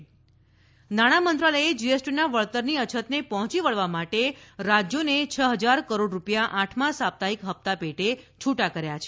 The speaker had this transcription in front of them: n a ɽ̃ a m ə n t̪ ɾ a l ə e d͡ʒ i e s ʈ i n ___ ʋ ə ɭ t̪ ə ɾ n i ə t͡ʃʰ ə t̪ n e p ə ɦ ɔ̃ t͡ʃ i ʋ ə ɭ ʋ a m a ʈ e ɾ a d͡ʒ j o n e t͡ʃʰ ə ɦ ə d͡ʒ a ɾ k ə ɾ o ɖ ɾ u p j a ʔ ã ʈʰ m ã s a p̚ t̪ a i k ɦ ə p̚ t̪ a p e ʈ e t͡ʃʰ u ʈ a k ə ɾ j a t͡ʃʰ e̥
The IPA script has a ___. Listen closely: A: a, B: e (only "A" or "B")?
A